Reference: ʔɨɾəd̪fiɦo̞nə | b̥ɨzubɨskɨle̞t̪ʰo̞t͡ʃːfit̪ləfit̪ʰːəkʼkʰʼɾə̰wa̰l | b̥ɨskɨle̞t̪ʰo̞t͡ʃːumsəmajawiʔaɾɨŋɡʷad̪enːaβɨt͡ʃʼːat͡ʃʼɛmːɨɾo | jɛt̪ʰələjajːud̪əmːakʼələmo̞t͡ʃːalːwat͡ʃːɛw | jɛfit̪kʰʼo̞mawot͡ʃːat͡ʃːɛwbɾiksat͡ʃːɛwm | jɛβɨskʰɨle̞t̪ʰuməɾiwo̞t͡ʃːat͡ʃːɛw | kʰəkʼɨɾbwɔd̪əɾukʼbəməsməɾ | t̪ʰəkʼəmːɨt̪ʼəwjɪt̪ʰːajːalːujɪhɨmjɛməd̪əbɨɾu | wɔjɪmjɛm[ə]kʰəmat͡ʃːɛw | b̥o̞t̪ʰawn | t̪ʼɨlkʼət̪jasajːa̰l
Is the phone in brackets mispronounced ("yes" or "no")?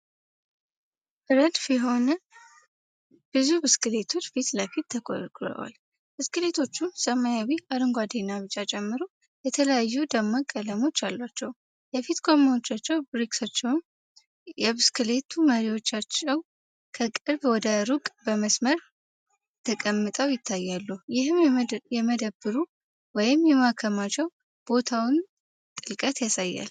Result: yes